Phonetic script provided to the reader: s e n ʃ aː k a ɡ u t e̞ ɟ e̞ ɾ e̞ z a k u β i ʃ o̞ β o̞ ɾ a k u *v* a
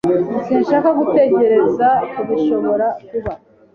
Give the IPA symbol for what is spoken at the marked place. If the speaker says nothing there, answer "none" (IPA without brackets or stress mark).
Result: β